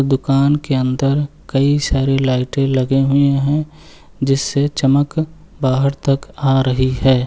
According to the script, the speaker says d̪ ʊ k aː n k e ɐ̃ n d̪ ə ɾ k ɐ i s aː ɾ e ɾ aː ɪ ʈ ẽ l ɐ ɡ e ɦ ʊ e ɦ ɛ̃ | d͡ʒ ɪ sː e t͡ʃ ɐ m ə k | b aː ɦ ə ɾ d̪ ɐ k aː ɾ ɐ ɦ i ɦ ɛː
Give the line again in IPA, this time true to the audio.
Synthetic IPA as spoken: d̪ ʊ k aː n k e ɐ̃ n d̪ ə ɾ k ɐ i s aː ɾ e l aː ɪ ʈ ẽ l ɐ ɡ e ɦ ʊ e ɦ ɛ̃ | d͡ʒ ɪ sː e t͡ʃ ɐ m ə k | b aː ɦ ə ɾ t̪ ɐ k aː ɾ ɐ ɦ i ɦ ɛː